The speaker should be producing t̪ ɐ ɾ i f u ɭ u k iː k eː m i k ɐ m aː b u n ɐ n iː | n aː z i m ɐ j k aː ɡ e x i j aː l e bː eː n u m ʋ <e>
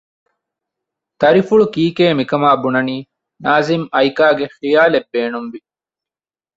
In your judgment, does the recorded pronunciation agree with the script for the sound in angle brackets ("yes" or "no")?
no